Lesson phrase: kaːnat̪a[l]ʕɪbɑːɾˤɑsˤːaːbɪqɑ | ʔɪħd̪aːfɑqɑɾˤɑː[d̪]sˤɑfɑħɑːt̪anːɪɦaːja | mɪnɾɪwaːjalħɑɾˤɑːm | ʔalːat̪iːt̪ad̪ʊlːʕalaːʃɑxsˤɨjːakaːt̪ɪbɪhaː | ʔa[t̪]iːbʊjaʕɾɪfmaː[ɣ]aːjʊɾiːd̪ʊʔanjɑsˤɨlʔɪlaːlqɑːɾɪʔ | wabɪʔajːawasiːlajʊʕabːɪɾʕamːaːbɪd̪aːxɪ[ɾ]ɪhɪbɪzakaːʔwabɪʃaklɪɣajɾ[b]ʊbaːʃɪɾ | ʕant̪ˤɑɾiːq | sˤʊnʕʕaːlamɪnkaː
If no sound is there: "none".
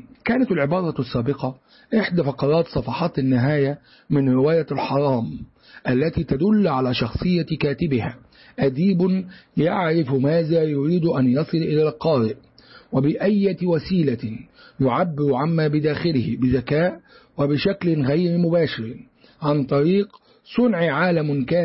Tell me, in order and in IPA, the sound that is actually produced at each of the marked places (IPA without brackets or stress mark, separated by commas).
l, t̪, d̪, ð, l, m